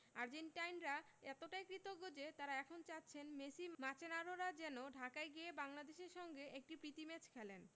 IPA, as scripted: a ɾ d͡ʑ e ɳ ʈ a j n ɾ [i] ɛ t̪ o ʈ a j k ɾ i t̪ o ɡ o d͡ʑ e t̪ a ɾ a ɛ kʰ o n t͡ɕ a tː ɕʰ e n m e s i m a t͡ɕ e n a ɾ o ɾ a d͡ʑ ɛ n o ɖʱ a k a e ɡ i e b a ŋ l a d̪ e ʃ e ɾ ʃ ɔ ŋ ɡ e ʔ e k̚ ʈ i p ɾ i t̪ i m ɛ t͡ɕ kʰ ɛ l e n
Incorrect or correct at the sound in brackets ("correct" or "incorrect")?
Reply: incorrect